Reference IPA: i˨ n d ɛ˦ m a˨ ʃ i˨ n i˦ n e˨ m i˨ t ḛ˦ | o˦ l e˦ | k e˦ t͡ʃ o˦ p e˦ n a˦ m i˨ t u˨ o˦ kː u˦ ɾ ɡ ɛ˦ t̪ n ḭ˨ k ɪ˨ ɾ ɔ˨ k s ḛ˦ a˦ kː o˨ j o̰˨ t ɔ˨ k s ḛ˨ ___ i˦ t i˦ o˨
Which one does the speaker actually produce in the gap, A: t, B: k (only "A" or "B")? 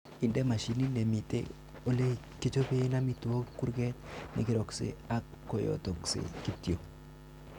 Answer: B